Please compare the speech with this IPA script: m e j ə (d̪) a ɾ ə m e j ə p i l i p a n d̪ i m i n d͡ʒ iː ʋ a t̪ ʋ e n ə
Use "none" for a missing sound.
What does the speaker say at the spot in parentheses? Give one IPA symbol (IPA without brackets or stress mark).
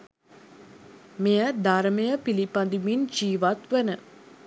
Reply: d̪